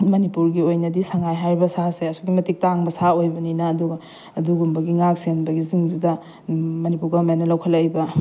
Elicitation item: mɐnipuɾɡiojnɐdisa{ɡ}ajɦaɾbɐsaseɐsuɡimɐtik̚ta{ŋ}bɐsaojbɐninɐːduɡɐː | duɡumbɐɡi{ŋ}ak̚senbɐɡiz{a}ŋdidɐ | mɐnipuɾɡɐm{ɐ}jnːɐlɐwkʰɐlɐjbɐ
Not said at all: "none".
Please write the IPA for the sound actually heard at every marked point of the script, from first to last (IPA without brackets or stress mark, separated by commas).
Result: ŋ, ŋ, ŋ, i, a